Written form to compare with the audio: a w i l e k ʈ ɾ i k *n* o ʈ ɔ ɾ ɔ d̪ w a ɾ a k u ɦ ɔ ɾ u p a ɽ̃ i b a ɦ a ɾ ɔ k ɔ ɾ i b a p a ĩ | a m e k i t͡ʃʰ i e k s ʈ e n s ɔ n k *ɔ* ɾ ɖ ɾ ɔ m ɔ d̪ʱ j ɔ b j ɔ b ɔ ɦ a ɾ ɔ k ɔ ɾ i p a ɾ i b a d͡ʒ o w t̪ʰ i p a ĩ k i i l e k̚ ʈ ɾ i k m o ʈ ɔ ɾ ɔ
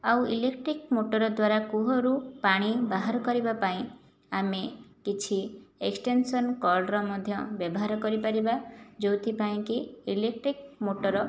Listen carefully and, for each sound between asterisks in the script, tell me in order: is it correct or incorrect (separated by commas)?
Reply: incorrect, correct